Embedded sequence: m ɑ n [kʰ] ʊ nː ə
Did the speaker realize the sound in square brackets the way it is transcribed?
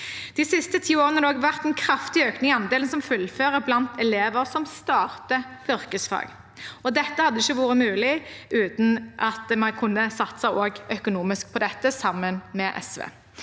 yes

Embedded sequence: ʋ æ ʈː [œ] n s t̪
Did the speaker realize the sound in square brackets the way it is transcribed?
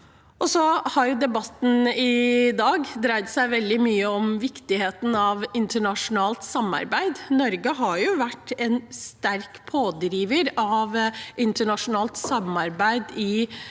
no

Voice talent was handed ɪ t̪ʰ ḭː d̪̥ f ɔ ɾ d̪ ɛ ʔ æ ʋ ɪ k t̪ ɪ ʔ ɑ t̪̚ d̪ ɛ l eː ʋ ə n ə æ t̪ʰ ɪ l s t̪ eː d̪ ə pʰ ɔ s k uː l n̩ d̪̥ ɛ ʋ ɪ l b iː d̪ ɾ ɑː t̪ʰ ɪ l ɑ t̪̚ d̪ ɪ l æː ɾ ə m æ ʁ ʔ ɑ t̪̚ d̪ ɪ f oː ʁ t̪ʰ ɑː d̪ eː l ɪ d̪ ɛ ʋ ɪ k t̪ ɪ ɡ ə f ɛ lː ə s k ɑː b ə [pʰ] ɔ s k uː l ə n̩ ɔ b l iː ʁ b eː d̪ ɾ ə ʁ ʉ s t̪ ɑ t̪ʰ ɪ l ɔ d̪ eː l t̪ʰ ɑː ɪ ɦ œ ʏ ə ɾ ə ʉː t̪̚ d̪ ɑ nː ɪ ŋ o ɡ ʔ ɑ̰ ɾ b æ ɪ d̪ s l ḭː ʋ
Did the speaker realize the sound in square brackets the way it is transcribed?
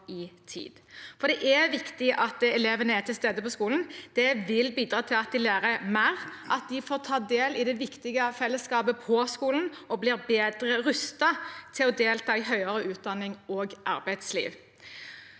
yes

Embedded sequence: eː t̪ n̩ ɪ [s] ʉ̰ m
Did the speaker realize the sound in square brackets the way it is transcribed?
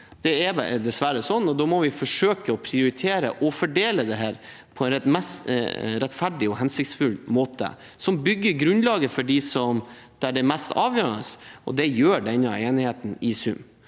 yes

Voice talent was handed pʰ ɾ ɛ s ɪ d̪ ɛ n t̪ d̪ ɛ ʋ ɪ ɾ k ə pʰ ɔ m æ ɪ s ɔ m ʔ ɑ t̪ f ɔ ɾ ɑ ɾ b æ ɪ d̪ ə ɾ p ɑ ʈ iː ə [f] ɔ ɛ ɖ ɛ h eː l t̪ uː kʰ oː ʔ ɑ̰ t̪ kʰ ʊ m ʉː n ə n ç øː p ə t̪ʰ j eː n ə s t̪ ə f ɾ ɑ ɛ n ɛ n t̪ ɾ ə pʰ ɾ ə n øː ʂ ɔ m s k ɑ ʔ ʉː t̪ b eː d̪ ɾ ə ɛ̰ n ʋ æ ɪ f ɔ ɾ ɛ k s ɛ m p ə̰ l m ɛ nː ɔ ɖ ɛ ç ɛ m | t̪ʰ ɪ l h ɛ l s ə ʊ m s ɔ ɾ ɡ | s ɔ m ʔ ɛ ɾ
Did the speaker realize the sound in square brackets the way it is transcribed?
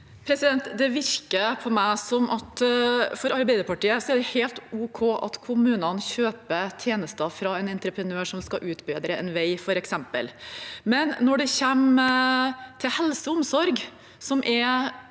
no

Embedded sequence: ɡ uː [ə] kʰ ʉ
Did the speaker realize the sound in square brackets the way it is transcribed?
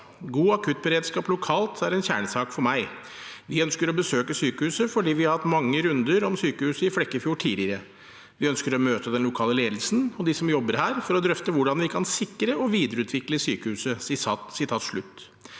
no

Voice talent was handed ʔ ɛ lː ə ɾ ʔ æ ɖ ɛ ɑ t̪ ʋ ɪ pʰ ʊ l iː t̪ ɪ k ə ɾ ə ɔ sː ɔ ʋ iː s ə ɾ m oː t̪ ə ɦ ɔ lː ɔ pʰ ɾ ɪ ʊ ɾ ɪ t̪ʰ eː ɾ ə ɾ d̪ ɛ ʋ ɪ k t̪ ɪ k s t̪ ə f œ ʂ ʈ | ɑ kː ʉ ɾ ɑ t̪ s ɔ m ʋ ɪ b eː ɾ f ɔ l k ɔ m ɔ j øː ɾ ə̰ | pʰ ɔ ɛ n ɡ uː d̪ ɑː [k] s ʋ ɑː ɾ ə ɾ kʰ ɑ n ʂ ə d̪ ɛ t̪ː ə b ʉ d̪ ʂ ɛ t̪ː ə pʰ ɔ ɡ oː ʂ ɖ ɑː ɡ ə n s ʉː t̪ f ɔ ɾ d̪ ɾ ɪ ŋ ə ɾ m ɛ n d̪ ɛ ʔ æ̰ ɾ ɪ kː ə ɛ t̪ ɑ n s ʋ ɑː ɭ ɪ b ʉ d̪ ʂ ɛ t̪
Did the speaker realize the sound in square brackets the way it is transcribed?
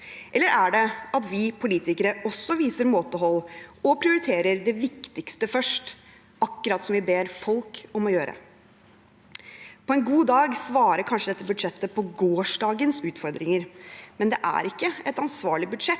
no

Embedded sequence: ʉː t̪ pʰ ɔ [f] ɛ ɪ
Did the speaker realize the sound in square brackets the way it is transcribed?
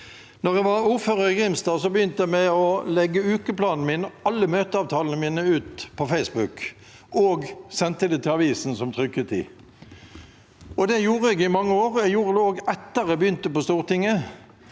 yes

